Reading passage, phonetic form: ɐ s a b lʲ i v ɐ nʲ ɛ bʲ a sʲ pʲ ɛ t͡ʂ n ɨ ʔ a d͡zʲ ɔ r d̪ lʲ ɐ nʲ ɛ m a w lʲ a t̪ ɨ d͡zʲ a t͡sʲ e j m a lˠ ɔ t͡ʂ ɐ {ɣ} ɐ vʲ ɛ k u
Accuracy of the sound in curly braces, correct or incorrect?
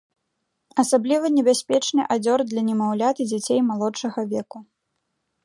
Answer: correct